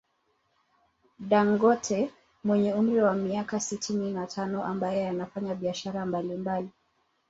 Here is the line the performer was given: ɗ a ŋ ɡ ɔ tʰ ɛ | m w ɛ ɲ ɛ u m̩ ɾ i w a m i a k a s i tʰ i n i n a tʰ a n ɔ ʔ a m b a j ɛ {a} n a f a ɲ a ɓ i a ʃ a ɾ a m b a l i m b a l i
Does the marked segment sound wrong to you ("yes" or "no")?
no